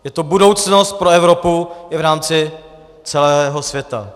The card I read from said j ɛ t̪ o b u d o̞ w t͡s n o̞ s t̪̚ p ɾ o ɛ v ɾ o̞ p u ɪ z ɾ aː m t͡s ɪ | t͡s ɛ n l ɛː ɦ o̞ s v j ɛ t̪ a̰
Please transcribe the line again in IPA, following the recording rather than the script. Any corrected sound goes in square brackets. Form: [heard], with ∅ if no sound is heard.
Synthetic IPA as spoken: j ɛ t̪ o b u d o̞ w t͡s n o̞ s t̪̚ p ɾ o ɛ v ɾ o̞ p u ɪ [v] ɾ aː m t͡s ɪ | t͡s ɛ [∅] l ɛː ɦ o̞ s v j ɛ t̪ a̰